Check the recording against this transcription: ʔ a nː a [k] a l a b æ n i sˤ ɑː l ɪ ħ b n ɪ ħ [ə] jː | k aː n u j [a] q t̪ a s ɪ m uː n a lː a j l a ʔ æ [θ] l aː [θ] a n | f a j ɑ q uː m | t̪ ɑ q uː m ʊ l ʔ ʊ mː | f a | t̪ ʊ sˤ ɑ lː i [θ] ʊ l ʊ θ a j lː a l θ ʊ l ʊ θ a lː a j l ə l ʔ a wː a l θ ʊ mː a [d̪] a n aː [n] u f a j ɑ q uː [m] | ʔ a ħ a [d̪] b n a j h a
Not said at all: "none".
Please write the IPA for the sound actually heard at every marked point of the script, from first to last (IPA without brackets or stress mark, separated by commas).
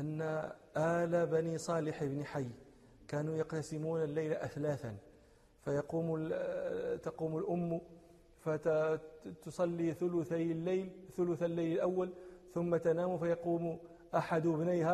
ʔ, a, ɑ, θ, θ, θ, t̪, m, m, d̪